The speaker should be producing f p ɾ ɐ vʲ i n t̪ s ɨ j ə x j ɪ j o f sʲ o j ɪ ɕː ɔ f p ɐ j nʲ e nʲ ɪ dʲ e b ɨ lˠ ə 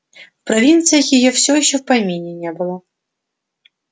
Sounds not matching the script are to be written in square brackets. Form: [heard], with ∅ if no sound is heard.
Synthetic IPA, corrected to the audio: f p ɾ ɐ vʲ i n t̪ s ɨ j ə x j ɪ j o f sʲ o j ɪ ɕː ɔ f p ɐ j [mʲ] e nʲ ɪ [nʲ] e b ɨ lˠ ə